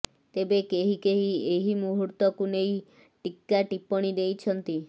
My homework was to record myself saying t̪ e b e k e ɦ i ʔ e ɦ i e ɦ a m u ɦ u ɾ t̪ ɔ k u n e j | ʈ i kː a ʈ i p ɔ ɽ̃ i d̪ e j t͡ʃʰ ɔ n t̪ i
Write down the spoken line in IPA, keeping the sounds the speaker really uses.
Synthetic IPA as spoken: t̪ e b e k e ɦ i k e ɦ i e ɦ i m u ɦ u ɾ t̪ ɔ k u n e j | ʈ i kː a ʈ i p ɔ ɽ̃ i d̪ e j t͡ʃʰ ɔ n t̪ i